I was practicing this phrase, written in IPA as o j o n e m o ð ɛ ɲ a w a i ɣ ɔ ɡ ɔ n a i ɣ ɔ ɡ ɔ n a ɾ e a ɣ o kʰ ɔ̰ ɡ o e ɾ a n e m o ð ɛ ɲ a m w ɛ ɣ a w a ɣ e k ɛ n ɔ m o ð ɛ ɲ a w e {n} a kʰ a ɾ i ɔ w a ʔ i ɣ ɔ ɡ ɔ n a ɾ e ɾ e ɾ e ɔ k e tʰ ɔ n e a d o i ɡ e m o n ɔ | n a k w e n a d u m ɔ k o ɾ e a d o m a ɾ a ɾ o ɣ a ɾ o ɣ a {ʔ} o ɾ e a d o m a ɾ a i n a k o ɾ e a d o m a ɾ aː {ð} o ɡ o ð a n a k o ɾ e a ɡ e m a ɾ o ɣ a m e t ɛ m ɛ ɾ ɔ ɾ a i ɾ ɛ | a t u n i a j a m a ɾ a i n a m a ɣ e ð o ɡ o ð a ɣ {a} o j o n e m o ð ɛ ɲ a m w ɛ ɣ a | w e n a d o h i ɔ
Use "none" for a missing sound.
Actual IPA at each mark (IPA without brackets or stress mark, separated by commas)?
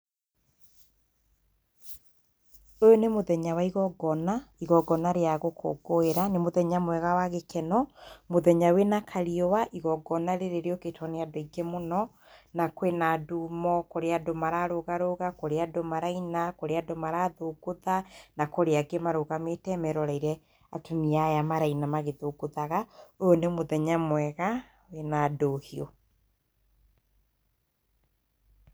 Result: n, k, ð, a